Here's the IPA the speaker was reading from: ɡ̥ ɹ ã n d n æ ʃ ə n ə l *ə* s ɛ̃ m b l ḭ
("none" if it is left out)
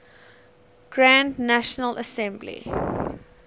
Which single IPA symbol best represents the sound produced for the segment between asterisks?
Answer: ə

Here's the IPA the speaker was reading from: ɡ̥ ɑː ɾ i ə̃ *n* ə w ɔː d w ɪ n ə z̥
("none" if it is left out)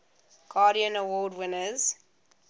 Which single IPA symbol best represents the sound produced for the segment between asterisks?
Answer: n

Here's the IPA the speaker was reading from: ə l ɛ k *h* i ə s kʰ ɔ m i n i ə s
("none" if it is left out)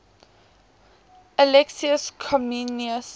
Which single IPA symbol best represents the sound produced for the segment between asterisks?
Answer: s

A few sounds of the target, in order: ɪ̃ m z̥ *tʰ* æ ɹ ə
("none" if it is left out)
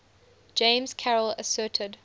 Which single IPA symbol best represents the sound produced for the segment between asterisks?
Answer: kʰ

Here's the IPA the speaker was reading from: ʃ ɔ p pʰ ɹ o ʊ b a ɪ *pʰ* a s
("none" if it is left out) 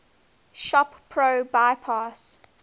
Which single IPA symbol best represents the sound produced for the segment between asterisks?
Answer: pʰ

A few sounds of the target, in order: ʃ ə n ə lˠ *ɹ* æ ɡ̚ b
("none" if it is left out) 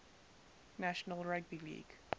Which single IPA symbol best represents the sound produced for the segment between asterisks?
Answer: ɹ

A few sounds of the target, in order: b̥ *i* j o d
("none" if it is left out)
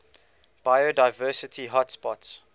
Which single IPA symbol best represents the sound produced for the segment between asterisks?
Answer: a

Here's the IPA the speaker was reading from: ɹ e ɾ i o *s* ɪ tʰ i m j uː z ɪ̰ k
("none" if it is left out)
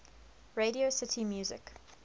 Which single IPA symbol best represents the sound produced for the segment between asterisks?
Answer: s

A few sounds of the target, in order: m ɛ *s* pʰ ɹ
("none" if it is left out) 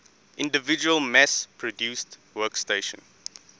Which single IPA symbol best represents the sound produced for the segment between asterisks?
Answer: s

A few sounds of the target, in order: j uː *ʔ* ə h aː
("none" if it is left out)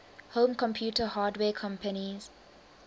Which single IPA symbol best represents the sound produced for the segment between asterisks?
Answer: t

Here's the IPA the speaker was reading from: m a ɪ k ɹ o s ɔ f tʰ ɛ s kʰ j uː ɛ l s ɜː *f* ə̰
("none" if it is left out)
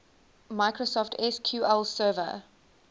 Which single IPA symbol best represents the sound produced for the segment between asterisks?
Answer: v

